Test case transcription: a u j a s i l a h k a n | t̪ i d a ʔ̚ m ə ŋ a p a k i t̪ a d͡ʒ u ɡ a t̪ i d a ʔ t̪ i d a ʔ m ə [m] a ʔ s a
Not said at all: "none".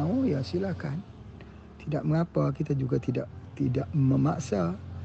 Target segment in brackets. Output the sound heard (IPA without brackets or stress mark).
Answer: m